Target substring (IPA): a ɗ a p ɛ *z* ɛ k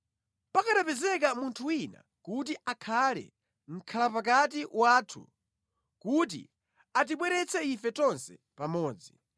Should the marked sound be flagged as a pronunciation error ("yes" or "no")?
no